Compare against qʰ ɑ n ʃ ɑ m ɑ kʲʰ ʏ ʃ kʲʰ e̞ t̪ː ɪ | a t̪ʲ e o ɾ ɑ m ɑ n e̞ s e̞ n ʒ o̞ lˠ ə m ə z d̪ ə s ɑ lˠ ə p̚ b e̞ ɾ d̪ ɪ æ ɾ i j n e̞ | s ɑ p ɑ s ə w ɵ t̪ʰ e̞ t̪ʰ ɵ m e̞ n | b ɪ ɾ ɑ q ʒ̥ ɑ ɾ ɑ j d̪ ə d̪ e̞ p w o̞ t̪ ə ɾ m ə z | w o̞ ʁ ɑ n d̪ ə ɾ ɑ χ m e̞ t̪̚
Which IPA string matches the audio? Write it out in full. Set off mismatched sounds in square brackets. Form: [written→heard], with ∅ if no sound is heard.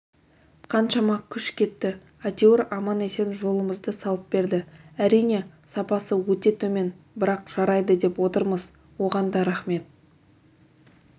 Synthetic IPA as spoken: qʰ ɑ n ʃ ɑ m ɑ kʲʰ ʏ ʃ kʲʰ e̞ t̪ː ɪ | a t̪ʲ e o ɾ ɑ m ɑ n e̞ s e̞ n ʒ o̞ lˠ ə m ə z d̪ ə s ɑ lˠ ə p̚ b e̞ ɾ d̪ ɪ æ ɾ i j n e̞ | s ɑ p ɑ s ə w ɵ [t̪ʰ→t̪] e̞ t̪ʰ ɵ m e̞ n | b ɪ ɾ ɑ q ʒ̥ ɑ ɾ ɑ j d̪ ə d̪ e̞ p w o̞ t̪ ə ɾ m ə z | w o̞ ʁ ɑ n d̪ [ə→ɑ] ɾ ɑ χ m e̞ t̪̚